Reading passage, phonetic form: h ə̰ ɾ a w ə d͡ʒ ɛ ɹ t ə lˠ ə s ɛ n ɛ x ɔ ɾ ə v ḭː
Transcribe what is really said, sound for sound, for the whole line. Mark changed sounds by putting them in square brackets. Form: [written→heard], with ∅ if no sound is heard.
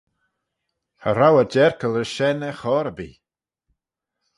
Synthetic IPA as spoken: h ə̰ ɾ a w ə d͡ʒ ɛ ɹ [t→k] ə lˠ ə [s→ʃ] ɛ n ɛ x ɔ ɾ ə [v→b] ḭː